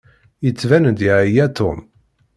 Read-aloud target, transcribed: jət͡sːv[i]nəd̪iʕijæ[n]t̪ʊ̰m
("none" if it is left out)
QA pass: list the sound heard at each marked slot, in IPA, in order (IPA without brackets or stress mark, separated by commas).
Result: æ, none